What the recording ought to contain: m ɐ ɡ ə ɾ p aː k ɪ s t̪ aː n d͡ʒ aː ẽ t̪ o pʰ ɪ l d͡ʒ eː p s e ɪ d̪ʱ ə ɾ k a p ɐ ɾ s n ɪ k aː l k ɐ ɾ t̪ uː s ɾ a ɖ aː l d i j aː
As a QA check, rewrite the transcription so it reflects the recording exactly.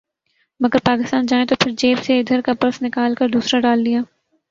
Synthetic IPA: m ɐ ɡ ə ɾ p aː k ɪ s t̪ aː n d͡ʒ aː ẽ t̪ o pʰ ɪ ɾ d͡ʒ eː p s e ɪ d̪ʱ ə ɾ k a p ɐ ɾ s n ɪ k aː l k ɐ ɾ d̪ uː s ɾ a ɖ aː l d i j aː